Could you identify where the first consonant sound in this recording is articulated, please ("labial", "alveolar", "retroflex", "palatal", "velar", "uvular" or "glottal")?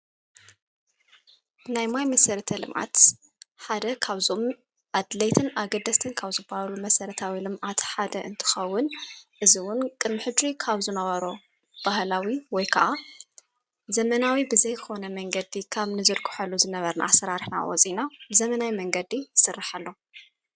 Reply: alveolar